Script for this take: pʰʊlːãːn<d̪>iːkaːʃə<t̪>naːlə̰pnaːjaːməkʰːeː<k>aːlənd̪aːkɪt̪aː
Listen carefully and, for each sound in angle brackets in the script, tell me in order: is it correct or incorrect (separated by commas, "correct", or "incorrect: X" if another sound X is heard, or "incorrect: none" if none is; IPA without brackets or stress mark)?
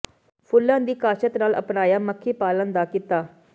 correct, correct, incorrect: p